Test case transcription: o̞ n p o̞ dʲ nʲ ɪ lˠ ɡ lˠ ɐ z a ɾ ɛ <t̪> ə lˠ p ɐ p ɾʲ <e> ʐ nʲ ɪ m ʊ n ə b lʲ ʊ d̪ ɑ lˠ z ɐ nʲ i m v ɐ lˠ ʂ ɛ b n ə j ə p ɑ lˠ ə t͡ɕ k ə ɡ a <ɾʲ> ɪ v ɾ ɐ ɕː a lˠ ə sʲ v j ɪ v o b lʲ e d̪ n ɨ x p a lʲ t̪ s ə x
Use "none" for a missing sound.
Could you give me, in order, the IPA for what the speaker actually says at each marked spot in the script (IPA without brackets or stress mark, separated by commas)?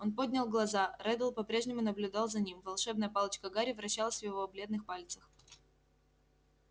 d̪, e, ɾʲ